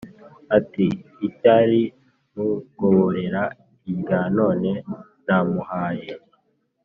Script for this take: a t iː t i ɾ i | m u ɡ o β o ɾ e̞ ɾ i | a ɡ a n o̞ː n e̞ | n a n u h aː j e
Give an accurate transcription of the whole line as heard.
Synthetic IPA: a t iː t a ɾ i | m u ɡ o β o ɾ e̞ ɾ a | i ɡ a n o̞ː n e̞ | n a m u h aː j e